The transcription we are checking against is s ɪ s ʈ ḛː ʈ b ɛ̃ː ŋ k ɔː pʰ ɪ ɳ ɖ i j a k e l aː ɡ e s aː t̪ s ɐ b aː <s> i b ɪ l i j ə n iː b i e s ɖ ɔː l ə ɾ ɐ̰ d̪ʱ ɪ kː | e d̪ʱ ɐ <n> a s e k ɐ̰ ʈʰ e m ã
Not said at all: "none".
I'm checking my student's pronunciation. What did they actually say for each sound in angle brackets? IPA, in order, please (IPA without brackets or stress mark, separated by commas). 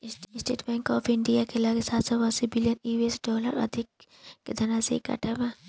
s, n